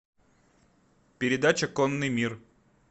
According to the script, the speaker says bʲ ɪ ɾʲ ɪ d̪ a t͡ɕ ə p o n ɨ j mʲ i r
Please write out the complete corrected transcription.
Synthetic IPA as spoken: pʲ ɪ ɾʲ ɪ d̪ a t͡ɕ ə k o nː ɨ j mʲ i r